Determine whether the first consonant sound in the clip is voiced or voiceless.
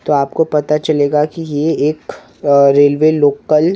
voiceless